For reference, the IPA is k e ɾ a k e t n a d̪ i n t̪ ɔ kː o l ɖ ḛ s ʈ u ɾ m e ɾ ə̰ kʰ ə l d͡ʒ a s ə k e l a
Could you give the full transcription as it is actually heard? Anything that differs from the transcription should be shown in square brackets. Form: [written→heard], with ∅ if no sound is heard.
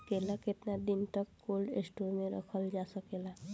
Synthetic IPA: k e [ɾ→l] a k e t n a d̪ i n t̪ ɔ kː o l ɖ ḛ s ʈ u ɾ m e ɾ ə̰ kʰ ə l d͡ʒ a s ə k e l a